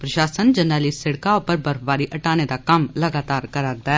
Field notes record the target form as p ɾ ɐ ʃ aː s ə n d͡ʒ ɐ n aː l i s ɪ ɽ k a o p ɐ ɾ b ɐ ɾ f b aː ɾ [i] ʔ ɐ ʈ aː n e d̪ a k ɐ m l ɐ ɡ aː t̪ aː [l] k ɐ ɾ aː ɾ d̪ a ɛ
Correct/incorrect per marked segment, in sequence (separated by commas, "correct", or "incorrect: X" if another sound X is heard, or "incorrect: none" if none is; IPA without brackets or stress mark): correct, incorrect: ɾ